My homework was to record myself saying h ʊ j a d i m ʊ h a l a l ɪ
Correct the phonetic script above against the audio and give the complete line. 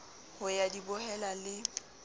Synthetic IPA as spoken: h ʊ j a d i b ʊ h ɛ l a l ɪ